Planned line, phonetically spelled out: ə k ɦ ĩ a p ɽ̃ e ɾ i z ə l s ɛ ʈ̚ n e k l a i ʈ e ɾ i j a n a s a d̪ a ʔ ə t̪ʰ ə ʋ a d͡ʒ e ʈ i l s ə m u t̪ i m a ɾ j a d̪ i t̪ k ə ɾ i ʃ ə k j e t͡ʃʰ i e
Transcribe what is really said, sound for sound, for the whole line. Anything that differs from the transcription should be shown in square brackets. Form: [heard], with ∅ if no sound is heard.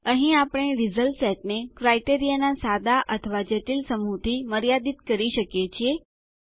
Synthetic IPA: ə [∅] ɦ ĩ a p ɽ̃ e ɾ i z ə l s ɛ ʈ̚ n e k [ɾ] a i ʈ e ɾ i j a n a s a d̪ a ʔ ə t̪ʰ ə ʋ a d͡ʒ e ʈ i l s ə m u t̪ i m [ə] ɾ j a d̪ i t̪ k ə ɾ i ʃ ə k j e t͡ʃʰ i e